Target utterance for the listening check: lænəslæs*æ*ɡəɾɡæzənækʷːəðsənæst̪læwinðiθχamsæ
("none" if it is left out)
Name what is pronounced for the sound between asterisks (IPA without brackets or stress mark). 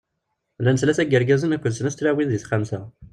æ